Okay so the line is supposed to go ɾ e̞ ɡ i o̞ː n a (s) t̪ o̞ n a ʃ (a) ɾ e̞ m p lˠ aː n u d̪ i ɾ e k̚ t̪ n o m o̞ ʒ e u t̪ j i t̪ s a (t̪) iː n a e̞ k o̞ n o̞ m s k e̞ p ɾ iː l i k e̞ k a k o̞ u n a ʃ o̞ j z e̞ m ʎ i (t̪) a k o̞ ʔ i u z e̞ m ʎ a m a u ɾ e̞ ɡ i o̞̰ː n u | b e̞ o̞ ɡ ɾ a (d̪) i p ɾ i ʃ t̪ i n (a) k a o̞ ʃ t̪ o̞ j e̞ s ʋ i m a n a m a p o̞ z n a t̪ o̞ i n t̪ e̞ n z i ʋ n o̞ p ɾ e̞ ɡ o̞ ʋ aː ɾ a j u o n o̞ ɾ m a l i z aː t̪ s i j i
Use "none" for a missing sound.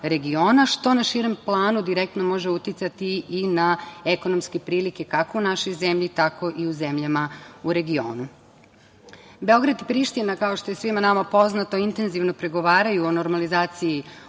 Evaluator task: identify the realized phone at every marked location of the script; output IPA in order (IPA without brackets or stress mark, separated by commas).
ʃ, i, t̪, t̪, d̪, a